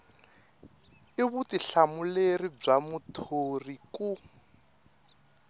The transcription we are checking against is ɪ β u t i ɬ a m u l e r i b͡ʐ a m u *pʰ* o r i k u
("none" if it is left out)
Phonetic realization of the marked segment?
tʰ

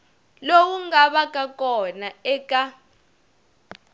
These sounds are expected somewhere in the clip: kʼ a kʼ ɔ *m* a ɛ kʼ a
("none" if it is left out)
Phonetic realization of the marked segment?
n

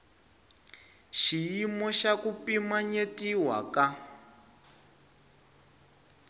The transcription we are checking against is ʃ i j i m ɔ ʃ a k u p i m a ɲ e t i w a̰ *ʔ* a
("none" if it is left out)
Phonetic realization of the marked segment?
k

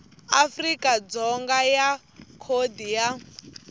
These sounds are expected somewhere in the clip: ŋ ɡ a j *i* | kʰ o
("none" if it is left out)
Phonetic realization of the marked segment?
a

